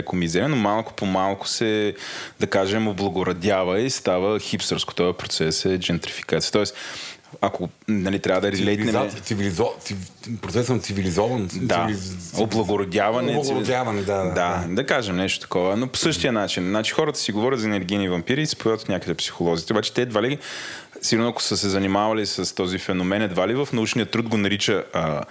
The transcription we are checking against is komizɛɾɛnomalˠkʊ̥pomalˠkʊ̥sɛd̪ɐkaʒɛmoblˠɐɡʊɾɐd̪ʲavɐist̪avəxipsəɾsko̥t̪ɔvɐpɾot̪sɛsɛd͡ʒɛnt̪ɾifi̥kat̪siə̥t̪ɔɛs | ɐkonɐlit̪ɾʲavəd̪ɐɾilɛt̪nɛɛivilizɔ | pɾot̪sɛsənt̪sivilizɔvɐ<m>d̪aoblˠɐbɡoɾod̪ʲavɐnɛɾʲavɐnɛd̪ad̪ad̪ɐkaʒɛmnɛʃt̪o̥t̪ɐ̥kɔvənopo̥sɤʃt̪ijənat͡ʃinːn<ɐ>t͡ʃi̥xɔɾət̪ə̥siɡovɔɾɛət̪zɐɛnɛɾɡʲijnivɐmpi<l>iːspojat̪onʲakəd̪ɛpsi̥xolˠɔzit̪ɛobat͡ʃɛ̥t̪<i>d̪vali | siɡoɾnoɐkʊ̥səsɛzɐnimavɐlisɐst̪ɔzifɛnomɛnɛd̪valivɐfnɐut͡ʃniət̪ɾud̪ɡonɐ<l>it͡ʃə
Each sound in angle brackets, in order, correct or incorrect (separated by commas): incorrect, incorrect, incorrect, incorrect, incorrect